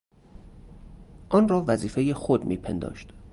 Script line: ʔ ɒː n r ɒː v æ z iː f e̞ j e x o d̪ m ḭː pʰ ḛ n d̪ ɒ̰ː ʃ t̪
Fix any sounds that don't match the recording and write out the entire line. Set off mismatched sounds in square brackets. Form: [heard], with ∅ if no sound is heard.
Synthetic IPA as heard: ʔ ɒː n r ɒː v æ z iː f e̞ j e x o d̪ m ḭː pʰ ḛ n d̪ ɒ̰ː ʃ t̪